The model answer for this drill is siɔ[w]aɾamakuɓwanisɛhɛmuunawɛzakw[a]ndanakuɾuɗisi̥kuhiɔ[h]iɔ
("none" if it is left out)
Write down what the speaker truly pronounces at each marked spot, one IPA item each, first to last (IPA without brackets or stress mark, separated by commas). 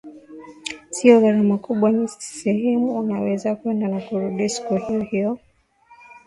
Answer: ɣ, ɛ, h